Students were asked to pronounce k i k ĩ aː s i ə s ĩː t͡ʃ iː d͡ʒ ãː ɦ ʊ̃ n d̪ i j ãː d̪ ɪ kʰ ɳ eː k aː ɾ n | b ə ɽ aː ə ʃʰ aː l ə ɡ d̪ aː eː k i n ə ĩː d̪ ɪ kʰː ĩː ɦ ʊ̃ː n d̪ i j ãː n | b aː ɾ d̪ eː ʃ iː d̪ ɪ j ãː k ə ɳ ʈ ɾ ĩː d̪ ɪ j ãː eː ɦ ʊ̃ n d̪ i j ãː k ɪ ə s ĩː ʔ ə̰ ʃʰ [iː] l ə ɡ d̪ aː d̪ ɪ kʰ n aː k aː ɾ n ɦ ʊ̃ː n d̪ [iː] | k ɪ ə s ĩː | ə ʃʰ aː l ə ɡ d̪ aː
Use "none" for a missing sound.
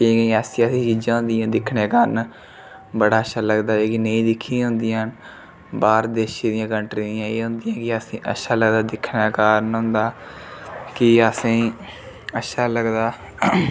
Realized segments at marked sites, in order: aː, aː

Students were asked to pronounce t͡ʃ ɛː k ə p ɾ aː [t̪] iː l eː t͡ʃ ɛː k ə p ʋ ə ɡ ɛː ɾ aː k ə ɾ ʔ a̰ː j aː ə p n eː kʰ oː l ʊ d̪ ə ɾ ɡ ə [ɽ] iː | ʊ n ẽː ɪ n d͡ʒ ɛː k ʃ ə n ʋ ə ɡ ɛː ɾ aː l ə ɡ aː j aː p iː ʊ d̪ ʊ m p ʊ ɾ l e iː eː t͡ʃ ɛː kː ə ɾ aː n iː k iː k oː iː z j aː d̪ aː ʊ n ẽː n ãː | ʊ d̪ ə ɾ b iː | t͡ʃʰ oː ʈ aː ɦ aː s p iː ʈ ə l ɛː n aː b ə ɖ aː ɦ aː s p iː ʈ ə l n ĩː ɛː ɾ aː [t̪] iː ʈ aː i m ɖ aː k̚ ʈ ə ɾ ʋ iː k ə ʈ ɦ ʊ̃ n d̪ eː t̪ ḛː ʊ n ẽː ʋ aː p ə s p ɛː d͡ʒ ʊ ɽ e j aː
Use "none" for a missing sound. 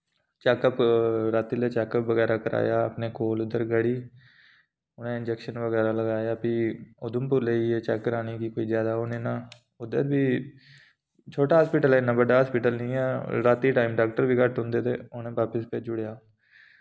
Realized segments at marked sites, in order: t̪, ɽ, t̪

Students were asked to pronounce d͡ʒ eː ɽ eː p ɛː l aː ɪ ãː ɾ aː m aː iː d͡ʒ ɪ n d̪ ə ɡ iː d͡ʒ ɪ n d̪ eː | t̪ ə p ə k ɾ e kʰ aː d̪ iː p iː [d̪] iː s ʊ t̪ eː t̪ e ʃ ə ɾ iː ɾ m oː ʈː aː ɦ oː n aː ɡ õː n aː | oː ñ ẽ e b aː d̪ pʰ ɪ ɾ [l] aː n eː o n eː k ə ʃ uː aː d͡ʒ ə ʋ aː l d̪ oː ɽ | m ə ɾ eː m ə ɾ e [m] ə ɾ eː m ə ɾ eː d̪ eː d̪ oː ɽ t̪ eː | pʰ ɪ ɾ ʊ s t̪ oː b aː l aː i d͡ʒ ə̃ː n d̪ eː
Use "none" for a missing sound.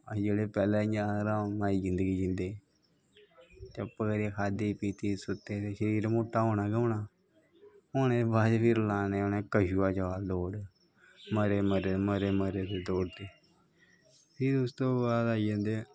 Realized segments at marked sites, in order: t̪, l, m

